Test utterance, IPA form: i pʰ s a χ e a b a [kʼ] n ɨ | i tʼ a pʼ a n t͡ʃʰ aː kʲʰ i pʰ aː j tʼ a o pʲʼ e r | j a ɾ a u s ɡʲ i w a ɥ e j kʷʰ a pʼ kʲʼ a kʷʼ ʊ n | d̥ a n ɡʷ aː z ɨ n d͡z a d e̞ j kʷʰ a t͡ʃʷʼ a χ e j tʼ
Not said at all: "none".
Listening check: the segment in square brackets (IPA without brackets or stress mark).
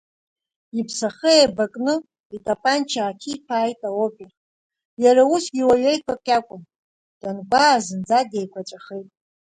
kʼ